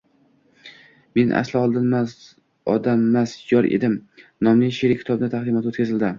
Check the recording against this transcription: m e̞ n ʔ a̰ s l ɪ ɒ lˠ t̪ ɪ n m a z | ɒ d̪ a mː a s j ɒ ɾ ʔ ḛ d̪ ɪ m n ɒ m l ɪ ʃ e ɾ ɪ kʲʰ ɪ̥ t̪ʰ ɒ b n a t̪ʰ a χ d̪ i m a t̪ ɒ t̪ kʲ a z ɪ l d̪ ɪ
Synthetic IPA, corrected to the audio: m e̞ n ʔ a̰ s l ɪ ɒ lˠ d̪ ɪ n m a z | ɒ d̪ a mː a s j ɒ ɾ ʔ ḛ d̪ ɪ m n ɒ m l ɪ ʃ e ɾ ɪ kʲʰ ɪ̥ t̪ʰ ɒ b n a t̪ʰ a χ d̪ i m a t̪ o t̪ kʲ a z ɪ l d̪ ɪ